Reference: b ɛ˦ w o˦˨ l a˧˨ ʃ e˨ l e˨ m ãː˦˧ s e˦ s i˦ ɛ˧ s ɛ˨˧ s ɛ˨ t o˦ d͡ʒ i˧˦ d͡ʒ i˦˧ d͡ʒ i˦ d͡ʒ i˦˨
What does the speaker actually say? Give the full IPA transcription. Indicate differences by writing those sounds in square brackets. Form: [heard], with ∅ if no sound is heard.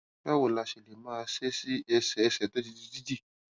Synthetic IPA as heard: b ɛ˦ w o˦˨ l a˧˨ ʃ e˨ l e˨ m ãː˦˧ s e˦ s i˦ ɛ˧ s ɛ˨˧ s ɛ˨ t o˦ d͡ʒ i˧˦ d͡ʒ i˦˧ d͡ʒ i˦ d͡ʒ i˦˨